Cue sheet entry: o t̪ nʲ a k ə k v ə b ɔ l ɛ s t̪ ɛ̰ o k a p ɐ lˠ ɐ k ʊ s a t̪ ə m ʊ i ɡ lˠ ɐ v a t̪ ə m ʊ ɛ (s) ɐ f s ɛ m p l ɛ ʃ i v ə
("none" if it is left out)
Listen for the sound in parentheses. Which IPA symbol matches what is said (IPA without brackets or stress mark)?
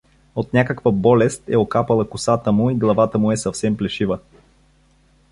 s